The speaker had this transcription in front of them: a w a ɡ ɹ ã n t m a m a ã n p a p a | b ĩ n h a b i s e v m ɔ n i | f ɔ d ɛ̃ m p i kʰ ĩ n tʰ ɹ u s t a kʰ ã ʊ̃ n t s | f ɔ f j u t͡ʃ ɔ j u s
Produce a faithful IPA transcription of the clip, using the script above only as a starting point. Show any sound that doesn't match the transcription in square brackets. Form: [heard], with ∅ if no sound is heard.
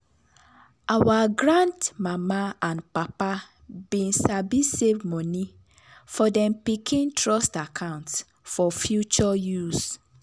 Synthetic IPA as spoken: a w a ɡ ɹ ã n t m a m a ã n p a p a | b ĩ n [s] a b i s e v m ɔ n i | f ɔ d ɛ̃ m p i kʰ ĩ n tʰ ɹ [ɔ] s t a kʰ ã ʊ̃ n t s | f ɔ f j u t͡ʃ ɔ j u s